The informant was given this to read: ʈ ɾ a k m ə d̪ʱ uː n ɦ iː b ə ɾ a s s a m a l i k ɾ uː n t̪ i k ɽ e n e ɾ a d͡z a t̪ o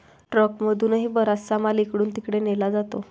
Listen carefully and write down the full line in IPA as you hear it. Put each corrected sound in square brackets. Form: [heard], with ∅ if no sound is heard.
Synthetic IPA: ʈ ɾ [ə] k m ə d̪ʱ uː n ɦ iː b ə ɾ a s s a m a l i k [ɽ] uː n t̪ i k ɽ e n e [l] a d͡z a t̪ o